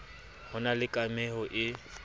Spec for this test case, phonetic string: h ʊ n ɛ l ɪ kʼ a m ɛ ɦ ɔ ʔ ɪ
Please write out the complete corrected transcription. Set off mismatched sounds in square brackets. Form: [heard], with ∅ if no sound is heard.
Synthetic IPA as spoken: h ʊ n [a] l ɪ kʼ a m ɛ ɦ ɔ ʔ ɪ

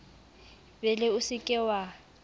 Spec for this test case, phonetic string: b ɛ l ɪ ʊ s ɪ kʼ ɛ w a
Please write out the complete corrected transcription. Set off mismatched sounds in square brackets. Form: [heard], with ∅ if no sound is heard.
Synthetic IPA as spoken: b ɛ l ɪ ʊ s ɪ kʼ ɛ w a

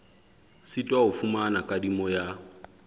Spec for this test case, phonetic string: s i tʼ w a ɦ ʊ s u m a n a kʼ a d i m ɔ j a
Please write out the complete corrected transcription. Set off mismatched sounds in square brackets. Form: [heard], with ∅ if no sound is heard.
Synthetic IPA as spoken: s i tʼ w a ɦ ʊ [f] u m a n a kʼ a d i m ɔ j a

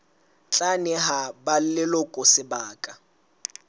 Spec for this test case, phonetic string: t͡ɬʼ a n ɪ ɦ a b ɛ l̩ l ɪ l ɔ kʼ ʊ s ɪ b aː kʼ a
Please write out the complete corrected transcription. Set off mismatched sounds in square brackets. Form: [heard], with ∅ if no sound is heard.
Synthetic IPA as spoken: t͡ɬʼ a n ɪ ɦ a b [a] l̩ l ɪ l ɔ kʼ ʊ s ɪ b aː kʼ a

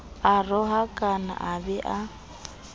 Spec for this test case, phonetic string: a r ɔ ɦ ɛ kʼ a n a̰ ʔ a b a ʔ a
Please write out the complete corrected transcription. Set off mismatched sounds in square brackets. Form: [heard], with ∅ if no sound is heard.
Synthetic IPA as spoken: a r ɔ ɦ [a] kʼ a n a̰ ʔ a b [ɛ] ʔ a

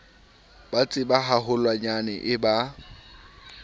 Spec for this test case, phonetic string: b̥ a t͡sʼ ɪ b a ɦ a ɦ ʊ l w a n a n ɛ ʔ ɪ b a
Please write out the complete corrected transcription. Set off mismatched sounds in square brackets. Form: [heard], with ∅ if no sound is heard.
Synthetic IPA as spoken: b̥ a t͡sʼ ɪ b a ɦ a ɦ ʊ l w a [ɲ] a n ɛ ʔ ɪ b a

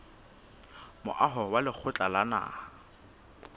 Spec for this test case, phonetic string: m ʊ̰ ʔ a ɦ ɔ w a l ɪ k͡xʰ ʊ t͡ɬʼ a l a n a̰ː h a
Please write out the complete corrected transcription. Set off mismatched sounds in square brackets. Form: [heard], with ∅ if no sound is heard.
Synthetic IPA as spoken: m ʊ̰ ʔ a ɦ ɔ w a l ɪ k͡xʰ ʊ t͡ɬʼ a l a n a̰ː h a

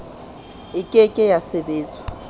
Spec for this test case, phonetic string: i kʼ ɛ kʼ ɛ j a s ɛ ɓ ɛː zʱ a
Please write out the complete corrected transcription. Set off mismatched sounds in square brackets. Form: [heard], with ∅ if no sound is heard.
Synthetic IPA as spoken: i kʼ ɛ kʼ ɛ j a s ɛ ɓ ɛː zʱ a

